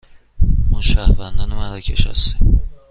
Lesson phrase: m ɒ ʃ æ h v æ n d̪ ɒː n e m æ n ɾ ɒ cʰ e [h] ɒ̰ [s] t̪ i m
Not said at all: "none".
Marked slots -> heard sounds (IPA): ʃ, s

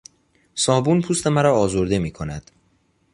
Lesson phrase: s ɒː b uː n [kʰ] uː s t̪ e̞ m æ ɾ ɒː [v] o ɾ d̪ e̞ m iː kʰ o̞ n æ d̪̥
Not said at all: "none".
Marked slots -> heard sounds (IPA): pʰ, z

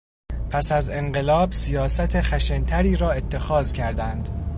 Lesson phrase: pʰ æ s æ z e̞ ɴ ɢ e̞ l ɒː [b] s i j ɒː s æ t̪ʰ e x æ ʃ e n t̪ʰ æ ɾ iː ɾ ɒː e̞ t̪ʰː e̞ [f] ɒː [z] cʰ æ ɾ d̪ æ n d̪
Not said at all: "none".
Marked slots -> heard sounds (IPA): b, x, z

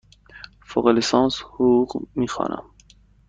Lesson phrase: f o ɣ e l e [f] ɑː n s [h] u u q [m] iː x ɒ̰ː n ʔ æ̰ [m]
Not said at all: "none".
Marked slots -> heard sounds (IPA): s, h, m, m

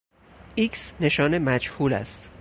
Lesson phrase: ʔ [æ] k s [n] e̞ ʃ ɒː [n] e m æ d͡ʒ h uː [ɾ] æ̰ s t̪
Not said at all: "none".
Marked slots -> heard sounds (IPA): i, n, n, l

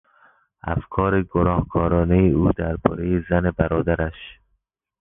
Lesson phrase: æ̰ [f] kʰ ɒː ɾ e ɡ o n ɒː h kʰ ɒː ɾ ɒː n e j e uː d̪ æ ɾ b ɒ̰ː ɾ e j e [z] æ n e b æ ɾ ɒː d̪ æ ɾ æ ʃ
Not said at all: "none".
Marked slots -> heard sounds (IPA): f, z

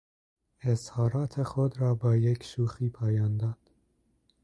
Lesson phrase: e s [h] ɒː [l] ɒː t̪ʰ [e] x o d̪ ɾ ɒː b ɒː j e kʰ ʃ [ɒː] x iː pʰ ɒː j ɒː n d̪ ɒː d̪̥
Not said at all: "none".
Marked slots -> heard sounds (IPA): h, ɾ, e, uː

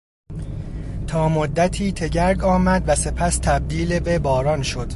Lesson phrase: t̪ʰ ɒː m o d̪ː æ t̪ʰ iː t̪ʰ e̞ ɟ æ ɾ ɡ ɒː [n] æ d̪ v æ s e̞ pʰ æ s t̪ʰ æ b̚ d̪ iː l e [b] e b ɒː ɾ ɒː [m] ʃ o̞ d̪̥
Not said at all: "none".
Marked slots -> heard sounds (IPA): m, b, n

